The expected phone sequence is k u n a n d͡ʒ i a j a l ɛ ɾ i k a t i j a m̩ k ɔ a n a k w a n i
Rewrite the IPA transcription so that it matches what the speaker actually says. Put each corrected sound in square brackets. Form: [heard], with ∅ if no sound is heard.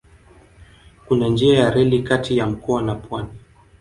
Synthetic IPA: k u n a n d͡ʒ i a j a [ɾ] ɛ [l] i k a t i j a m̩ k ɔ a n a [p] w a n i